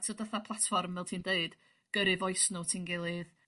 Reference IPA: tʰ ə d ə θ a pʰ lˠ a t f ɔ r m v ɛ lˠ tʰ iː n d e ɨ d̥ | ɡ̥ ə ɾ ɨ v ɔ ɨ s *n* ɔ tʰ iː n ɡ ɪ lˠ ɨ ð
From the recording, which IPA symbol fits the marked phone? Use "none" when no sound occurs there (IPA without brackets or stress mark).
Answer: n